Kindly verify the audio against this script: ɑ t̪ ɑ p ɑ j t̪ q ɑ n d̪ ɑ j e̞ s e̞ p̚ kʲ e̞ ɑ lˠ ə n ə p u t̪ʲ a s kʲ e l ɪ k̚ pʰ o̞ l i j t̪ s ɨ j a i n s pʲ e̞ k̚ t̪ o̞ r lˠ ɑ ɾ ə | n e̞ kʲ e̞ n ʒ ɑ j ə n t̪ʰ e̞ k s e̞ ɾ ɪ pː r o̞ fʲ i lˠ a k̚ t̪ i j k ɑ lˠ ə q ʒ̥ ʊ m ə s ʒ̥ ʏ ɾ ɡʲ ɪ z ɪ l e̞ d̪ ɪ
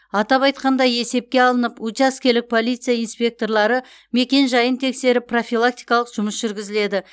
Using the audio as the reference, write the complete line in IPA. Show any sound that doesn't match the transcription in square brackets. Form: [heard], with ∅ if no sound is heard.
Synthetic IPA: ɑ t̪ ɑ p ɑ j t̪ q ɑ n d̪ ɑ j e̞ s e̞ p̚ kʲ e̞ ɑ lˠ ə n ə p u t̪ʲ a s kʲ e l ɪ k̚ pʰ o̞ l i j t̪ s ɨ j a i n s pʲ e̞ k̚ t̪ o̞ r lˠ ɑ ɾ ə | [m] e̞ kʲ e̞ n ʒ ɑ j ə n t̪ʰ e̞ k s e̞ ɾ ɪ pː r o̞ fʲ i lˠ a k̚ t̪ i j k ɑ lˠ ə q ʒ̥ ʊ m ə s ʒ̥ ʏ ɾ ɡʲ ɪ z ɪ l e̞ d̪ ɪ

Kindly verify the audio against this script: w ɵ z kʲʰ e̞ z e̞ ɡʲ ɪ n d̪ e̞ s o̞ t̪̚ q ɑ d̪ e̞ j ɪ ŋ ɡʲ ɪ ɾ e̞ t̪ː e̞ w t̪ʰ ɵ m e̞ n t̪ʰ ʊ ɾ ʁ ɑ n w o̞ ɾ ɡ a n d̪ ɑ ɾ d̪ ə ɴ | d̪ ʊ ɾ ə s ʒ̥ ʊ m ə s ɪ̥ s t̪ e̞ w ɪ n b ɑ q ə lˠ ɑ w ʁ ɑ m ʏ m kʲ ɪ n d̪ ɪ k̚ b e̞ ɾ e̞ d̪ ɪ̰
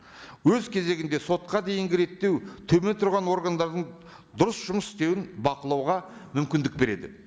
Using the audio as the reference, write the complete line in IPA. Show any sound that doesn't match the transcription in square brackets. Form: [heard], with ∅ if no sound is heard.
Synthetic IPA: w ɵ z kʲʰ e̞ z e̞ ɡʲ ɪ n d̪ e̞ s o̞ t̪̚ q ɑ d̪ e̞ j ɪ ŋ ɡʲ ɪ ɾ e̞ t̪ː e̞ w t̪ʰ ɵ m e̞ n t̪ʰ ʊ ɾ ʁ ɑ n w o̞ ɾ ɡ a n d̪ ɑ ɾ d̪ ə ɴ | d̪ ʊ ɾ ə s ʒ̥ ʊ m ə s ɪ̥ s t̪ e̞ w ɪ n b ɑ q ə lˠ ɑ w ʁ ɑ m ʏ m kʲ ɪ n d̪ ɪ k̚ b e̞ ɾ e̞ d̪ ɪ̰

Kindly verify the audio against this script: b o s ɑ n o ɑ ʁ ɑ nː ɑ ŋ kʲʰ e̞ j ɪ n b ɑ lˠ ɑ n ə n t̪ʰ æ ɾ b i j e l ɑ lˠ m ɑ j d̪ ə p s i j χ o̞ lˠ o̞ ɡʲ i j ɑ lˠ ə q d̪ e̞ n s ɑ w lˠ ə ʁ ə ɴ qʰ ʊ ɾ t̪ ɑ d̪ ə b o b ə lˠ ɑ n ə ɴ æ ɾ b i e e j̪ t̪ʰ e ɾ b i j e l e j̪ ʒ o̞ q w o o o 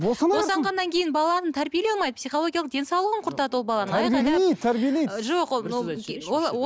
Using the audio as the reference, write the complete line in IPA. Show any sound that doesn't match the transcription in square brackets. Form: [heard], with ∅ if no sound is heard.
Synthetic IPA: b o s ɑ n o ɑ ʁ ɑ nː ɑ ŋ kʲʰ e̞ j ɪ n b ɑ lˠ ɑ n ə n t̪ʰ æ ɾ b i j e l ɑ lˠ m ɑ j d̪ ə p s i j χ o̞ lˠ o̞ ɡʲ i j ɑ lˠ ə q d̪ e̞ n s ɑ w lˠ ə ʁ ə ɴ qʰ ʊ ɾ t̪ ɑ d̪ ə [w] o b [ɑ] lˠ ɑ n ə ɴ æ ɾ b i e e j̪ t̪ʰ [æ] ɾ b i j e l e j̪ ʒ o̞ q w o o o

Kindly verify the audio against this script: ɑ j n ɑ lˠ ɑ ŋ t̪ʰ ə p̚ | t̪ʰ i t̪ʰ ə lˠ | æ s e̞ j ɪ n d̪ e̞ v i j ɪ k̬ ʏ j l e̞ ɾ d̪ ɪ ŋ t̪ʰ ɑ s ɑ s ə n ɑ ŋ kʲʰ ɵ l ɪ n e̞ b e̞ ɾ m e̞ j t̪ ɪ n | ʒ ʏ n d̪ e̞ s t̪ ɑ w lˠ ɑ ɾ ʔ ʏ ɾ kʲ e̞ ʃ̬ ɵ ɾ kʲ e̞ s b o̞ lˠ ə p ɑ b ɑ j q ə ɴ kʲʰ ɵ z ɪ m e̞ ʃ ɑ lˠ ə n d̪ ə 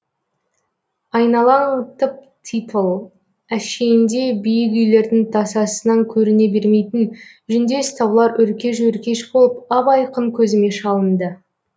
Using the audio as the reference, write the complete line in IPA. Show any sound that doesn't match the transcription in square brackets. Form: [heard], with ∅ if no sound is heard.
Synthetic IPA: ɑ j n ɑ lˠ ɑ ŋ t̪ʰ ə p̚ | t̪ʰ i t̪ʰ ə lˠ | æ [ʃ] e̞ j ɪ n d̪ e̞ [b] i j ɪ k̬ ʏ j l e̞ ɾ d̪ ɪ ŋ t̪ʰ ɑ s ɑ s ə n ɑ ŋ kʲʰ ɵ [ɾ] ɪ n e̞ b e̞ ɾ m e̞ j t̪ ɪ n | ʒ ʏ n d̪ e̞ s t̪ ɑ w lˠ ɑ ɾ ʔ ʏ ɾ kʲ e̞ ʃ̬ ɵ ɾ kʲ e̞ [ʃ] b o̞ lˠ ə p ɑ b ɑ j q ə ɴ kʲʰ ɵ z ɪ m e̞ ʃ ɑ lˠ ə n d̪ ə

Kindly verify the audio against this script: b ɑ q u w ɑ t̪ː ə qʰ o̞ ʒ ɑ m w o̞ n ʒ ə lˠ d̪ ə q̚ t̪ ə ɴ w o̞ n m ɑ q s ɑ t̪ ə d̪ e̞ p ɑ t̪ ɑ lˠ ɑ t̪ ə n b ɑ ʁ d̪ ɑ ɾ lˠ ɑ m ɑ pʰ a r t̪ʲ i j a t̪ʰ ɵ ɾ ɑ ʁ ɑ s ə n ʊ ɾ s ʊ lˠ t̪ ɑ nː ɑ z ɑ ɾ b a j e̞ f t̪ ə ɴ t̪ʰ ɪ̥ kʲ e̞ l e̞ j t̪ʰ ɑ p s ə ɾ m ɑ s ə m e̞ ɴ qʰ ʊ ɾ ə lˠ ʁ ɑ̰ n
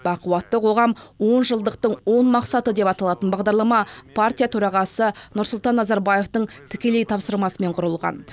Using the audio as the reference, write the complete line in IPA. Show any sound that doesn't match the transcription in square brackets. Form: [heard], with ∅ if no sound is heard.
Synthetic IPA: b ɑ q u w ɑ t̪ː ə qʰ o̞ [ʁ] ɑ m w o̞ n ʒ ə lˠ d̪ ə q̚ t̪ ə ɴ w o̞ n m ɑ q s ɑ t̪ ə d̪ e̞ p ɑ t̪ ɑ lˠ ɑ t̪ ə n b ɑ ʁ d̪ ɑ ɾ lˠ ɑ m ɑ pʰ a r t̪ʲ i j a t̪ʰ ɵ ɾ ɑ ʁ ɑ s ə n ʊ ɾ s ʊ lˠ t̪ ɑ nː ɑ z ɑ ɾ b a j e̞ f t̪ ə ɴ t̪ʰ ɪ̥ kʲ e̞ l e̞ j t̪ʰ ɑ p s ə ɾ m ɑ s ə m e̞ ɴ qʰ ʊ ɾ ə lˠ ʁ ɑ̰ n

